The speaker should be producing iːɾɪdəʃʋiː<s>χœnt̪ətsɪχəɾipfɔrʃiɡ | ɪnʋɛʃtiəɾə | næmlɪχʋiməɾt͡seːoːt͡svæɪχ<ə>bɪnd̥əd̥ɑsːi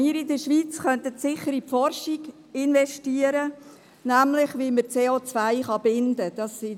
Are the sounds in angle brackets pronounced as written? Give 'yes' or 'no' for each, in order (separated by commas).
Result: no, no